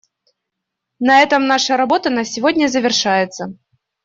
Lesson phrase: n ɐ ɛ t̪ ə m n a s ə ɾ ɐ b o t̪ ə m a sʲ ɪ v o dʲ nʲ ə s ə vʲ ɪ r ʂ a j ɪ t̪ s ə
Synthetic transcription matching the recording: n ɐ ɛ t̪ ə m n a ʂ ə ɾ ɐ b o t̪ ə n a sʲ ɪ v o dʲ nʲ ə z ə vʲ ɪ r ʂ a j ɪ t̪ s ə